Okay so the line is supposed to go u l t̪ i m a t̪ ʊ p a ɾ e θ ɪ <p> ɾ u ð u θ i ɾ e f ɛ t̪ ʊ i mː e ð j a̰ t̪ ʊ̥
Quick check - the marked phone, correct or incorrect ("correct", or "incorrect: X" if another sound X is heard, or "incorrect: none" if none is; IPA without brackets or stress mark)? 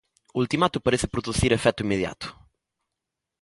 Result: correct